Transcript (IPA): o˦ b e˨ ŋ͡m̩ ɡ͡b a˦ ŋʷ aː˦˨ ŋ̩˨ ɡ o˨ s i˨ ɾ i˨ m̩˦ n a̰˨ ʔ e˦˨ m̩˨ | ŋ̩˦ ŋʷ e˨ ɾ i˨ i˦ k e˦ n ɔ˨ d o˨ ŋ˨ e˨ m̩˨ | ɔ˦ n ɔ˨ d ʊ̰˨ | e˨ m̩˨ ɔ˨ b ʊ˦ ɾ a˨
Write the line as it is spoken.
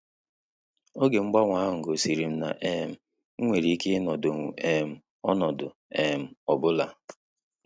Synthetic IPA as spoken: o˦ ɡ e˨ ŋ͡m̩ ɡ͡b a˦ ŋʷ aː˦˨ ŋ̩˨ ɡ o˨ s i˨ ɾ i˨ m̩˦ n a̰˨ ʔ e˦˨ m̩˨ | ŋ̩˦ ŋʷ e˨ ɾ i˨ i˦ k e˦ n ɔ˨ d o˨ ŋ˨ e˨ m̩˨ | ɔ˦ n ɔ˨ d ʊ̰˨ | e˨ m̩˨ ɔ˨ b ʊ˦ l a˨